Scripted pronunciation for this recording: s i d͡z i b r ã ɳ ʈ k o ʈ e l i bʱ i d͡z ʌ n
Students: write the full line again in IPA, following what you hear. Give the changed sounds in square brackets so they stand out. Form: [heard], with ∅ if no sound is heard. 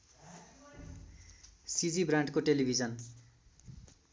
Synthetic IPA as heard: s i d͡z i b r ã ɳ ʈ k o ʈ e l i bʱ i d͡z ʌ n